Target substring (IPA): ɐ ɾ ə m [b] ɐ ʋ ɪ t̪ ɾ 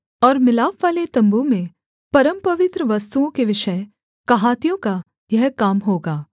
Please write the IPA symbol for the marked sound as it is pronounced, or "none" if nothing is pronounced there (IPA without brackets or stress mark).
p